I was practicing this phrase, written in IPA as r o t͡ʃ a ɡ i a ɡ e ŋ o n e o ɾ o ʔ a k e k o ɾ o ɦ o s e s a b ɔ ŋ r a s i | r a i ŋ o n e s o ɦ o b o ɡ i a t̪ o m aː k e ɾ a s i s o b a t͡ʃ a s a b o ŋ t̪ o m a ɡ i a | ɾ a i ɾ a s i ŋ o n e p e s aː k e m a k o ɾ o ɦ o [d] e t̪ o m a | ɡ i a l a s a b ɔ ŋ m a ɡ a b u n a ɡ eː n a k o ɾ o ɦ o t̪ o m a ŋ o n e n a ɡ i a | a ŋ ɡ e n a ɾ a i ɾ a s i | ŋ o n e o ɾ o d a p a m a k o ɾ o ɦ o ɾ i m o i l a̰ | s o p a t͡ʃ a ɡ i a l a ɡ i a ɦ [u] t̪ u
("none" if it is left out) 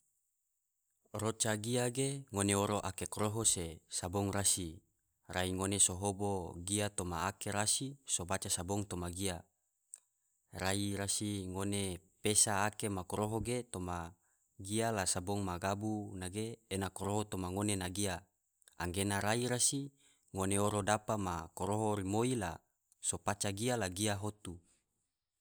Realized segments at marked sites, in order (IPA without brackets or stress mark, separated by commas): ɡ, o